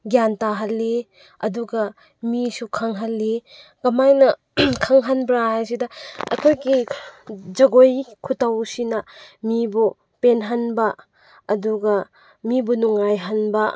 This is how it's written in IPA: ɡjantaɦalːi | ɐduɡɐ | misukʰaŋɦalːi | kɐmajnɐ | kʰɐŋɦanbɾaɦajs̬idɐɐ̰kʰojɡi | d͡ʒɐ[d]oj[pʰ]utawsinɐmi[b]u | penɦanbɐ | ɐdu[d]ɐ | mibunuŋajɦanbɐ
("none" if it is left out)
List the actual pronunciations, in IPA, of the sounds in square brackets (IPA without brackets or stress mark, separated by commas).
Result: ɡ, kʰ, b, ɡ